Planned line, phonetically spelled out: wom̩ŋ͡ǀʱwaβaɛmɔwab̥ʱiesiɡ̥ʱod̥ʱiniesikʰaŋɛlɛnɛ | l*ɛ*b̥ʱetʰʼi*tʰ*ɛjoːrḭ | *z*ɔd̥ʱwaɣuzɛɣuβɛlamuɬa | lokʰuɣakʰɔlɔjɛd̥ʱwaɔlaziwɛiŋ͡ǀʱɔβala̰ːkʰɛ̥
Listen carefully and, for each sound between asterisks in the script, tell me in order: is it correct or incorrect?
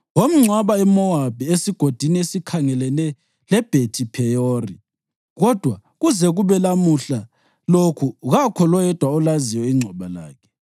correct, incorrect: pʰ, incorrect: ɣ

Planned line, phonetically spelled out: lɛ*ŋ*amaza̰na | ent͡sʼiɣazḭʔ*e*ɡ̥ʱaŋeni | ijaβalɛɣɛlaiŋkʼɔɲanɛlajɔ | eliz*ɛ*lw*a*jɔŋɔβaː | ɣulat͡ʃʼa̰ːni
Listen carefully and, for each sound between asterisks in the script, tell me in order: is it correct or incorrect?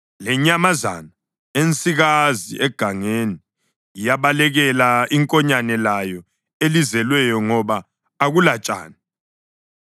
incorrect: ɲ, incorrect: ɛ, correct, incorrect: ɛ

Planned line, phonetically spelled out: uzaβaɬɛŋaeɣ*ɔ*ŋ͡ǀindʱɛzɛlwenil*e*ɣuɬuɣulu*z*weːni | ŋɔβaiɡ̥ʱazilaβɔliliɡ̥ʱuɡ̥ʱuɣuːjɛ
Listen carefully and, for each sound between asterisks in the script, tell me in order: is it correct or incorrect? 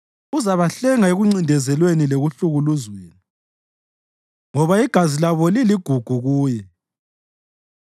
incorrect: u, correct, correct

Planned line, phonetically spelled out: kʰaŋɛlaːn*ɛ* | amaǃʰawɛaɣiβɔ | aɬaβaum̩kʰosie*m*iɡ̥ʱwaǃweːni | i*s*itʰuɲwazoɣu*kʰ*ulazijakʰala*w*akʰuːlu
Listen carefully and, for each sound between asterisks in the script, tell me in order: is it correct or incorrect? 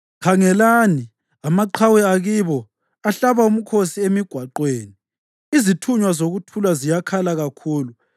incorrect: i, correct, incorrect: z, incorrect: tʰ, incorrect: ɣ

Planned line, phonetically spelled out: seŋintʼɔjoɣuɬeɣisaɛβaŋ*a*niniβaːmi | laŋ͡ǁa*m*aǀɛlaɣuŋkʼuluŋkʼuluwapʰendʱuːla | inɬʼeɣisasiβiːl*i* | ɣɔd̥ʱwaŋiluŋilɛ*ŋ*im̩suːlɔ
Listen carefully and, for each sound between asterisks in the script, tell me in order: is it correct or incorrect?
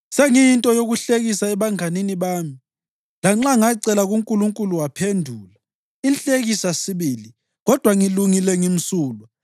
correct, incorrect: ŋ, correct, correct

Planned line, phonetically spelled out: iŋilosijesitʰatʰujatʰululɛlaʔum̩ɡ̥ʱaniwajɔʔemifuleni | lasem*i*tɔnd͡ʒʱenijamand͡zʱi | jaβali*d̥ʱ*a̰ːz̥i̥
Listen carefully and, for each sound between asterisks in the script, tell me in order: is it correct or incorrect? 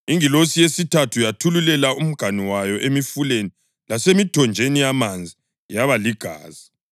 correct, incorrect: ɡ̥ʱ

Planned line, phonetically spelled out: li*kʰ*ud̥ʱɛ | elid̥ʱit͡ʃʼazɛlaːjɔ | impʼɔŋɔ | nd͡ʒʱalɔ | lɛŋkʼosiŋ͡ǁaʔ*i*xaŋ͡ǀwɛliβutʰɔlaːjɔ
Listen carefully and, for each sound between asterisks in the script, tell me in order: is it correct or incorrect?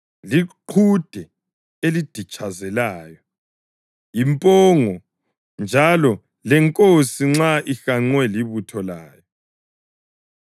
incorrect: ǃʰ, correct

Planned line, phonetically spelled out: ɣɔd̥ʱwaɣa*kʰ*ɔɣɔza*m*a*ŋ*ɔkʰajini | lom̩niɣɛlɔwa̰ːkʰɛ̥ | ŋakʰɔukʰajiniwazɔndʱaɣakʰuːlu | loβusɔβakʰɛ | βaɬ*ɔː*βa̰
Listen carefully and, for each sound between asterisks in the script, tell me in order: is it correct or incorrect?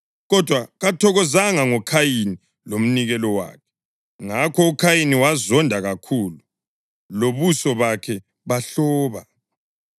incorrect: tʰ, incorrect: ŋ, correct, correct

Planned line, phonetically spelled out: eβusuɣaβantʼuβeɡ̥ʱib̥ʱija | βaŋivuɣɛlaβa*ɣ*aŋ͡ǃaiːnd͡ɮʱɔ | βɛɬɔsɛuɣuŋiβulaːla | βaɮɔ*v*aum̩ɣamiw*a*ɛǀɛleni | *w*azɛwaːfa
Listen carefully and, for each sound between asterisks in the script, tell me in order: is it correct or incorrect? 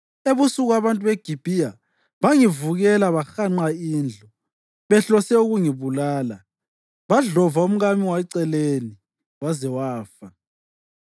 incorrect: x, correct, correct, correct

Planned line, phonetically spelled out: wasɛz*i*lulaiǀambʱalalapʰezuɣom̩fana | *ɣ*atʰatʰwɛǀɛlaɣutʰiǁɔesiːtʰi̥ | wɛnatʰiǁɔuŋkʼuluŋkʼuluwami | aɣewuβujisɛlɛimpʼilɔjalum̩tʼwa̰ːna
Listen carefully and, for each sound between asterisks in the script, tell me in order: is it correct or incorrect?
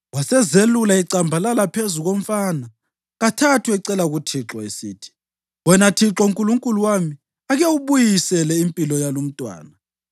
incorrect: e, correct

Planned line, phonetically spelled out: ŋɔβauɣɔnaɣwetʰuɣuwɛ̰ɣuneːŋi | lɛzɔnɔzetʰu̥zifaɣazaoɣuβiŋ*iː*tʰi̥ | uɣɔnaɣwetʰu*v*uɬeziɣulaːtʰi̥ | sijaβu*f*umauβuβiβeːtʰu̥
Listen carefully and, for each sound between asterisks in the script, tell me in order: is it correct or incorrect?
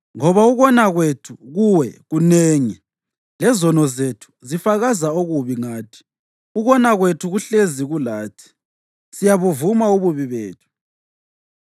incorrect: aː, incorrect: ɣ, incorrect: v

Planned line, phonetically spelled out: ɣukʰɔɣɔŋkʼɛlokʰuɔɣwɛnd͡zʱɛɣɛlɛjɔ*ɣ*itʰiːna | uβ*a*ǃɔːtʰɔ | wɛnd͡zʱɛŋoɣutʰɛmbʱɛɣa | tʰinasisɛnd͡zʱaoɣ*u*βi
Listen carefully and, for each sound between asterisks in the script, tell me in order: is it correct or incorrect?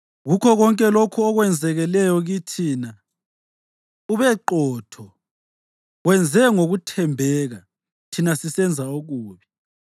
correct, incorrect: ɛ, incorrect: uː

